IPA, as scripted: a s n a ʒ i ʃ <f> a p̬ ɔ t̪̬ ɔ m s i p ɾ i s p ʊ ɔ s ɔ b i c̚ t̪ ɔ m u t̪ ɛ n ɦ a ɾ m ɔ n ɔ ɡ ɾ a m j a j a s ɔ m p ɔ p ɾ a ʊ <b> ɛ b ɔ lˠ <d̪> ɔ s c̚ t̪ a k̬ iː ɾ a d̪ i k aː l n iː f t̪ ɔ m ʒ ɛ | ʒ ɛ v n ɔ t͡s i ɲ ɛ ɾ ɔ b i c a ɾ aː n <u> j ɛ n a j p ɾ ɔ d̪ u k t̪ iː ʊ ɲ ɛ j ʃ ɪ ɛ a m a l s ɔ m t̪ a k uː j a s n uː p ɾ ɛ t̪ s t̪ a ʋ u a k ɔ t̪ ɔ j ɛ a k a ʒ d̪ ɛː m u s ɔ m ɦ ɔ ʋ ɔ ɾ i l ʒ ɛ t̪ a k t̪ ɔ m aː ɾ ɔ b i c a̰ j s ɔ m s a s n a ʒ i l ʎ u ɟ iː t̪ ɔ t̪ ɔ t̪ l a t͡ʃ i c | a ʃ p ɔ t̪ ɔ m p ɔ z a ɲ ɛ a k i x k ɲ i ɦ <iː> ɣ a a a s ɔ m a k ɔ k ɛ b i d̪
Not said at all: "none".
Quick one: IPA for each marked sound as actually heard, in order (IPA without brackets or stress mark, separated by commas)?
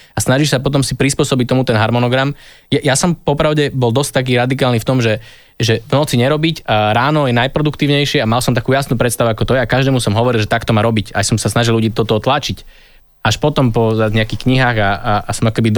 s, ɟ, d̪, ɔ, aː